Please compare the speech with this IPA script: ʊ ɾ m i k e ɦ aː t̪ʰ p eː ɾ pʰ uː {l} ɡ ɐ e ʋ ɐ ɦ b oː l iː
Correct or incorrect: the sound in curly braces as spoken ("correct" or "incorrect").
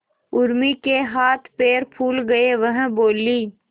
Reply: correct